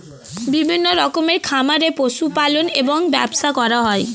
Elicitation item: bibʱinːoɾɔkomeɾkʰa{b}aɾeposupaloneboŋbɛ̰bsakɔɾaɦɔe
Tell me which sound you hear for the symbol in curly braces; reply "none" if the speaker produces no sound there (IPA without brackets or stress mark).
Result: m